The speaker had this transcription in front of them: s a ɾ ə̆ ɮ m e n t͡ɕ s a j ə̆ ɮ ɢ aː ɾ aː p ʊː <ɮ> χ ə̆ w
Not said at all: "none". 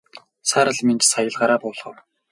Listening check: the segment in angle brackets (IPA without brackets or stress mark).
ɮ